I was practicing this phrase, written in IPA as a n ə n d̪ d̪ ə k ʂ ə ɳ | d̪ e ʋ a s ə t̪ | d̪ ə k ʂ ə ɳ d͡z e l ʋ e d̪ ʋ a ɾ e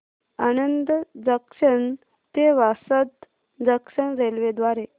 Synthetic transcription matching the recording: a n ə n d̪ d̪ ə k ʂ ə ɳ | t̪ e ʋ a s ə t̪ | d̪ ə k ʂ ə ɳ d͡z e l ʋ e d̪ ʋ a ɾ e